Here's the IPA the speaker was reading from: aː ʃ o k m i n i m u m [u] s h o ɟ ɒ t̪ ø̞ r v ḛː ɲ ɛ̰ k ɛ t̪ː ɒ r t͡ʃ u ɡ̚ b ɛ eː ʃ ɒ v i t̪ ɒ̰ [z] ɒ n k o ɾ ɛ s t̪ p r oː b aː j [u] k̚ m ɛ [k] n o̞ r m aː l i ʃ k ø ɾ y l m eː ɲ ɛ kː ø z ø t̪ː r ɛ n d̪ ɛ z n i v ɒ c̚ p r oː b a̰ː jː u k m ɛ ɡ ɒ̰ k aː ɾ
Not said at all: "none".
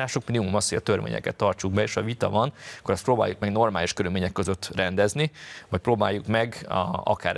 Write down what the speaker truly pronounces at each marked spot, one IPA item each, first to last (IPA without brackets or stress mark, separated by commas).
ɒ, v, u, ɡ